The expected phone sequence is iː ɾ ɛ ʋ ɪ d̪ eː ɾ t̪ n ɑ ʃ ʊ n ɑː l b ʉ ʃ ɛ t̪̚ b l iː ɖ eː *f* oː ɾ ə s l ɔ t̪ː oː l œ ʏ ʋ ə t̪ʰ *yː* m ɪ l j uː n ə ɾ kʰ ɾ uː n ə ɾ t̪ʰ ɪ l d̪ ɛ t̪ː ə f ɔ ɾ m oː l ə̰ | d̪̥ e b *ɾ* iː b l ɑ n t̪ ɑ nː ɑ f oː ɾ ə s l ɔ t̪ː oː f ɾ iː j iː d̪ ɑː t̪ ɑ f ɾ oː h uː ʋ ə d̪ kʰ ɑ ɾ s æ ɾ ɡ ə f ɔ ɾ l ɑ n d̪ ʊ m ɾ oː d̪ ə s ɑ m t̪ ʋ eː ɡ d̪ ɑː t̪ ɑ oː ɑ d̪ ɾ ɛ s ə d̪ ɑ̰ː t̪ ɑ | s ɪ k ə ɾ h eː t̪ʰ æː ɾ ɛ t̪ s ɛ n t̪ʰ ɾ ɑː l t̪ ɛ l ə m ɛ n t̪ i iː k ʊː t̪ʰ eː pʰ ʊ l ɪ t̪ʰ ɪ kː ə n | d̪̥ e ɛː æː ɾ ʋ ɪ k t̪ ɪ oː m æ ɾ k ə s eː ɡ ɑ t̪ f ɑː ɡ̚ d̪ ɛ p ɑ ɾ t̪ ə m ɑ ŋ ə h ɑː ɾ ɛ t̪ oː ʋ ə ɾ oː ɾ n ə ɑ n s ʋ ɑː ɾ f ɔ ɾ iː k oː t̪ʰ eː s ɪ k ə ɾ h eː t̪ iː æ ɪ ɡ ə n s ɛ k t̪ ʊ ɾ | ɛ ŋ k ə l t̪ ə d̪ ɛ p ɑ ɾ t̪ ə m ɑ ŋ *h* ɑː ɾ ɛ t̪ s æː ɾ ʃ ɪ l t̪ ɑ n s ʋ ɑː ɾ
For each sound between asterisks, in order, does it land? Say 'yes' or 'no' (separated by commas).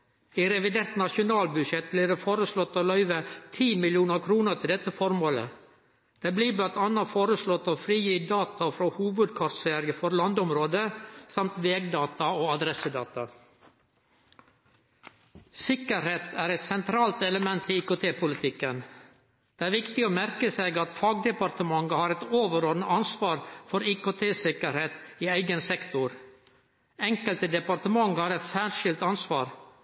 yes, no, no, yes